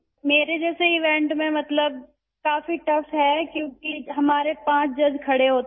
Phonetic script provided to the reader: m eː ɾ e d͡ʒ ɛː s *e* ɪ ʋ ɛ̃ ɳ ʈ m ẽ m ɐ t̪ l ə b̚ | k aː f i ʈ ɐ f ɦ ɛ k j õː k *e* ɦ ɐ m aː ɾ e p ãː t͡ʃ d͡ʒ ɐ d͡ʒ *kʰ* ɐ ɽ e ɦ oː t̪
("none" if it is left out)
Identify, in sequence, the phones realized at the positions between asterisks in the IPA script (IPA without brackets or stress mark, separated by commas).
e, i, kʰ